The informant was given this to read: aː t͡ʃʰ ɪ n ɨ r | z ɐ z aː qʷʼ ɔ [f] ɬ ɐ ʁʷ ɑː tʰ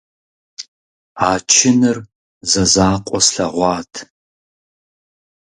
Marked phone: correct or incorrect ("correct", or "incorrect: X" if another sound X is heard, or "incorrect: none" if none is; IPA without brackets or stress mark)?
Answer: incorrect: s